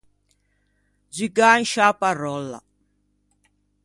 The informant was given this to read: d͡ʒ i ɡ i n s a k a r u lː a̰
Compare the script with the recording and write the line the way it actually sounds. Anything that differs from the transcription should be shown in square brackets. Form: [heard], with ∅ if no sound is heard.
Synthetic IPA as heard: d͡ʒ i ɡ [a] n [ʃ] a [p] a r [ɔ] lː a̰